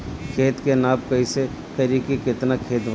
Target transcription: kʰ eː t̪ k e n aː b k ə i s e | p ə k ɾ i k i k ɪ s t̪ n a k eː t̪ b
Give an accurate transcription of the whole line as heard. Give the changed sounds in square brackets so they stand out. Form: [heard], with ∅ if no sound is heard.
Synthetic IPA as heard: kʰ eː t̪ k e n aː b k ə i s e | [k] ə [∅] ɾ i k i k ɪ [∅] t̪ n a [kʰ] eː t̪ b